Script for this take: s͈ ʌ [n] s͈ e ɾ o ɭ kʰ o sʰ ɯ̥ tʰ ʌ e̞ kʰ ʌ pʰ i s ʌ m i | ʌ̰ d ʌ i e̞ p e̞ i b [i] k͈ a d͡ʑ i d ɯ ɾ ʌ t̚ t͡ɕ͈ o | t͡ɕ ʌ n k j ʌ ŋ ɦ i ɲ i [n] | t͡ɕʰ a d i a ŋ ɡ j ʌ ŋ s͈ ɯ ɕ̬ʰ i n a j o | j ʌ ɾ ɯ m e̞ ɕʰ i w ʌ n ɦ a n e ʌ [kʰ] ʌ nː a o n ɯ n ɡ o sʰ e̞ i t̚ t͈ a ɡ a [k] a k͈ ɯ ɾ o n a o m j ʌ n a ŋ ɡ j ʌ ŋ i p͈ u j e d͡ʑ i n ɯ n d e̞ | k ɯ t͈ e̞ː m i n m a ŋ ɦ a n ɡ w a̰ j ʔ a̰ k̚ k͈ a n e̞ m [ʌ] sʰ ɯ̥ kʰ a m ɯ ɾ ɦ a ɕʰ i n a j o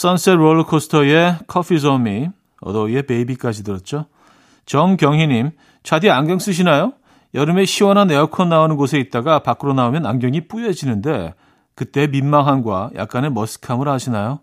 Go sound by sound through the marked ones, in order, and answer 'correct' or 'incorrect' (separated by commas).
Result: correct, correct, incorrect, correct, incorrect, correct